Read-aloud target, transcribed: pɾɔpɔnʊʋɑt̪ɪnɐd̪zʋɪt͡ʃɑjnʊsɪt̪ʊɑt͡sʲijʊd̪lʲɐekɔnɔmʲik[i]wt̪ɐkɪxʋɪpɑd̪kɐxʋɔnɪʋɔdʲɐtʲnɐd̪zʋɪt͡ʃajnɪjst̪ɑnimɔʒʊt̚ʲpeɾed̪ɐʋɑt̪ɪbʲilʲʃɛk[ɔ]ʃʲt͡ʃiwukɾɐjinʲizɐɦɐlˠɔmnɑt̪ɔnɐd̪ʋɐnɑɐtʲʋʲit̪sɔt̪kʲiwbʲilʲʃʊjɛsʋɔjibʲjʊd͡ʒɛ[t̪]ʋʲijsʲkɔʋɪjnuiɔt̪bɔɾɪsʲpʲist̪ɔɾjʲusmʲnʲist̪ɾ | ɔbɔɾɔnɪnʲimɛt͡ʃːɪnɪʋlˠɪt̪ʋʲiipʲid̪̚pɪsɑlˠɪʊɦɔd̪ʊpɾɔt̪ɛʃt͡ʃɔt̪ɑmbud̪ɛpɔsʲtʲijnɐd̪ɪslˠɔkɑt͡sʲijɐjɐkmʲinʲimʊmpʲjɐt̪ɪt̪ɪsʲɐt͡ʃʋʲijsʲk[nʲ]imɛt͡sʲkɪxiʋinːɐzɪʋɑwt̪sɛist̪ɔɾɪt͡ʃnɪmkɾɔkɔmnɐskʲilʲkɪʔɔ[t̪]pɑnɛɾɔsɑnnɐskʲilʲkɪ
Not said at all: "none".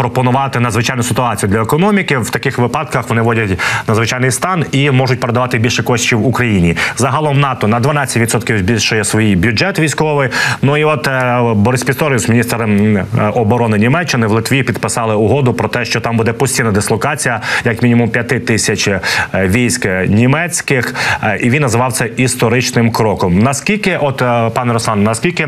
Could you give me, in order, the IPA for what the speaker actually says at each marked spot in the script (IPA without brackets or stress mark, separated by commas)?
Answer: ɪ, ɔ, t̪, nʲ, t̪